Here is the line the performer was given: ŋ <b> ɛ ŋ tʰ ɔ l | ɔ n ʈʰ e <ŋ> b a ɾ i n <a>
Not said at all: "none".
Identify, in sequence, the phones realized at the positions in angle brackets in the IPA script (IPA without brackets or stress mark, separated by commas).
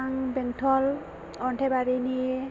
b, none, i